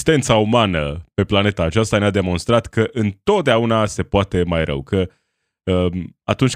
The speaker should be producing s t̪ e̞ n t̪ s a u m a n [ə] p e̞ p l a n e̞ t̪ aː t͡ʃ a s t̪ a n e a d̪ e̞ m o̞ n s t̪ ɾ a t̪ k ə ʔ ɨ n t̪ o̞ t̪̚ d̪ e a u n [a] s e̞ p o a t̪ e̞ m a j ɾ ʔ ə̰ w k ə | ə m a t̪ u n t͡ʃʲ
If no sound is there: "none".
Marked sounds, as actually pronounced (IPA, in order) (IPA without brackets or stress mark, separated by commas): ə, a